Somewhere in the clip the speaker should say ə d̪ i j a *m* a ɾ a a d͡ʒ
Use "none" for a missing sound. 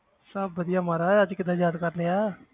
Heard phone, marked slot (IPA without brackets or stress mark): m